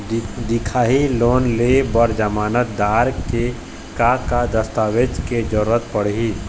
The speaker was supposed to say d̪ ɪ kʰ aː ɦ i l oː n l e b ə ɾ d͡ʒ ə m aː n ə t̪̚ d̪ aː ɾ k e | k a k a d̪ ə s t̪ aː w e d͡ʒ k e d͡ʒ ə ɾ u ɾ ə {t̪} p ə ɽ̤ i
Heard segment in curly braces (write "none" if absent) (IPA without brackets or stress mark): t̪